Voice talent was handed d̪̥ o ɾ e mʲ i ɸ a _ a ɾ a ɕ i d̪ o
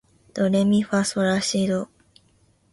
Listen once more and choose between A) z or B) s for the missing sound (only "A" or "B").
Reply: B